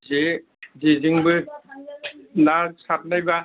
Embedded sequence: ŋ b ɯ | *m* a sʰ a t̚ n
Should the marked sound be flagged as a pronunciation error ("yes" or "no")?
yes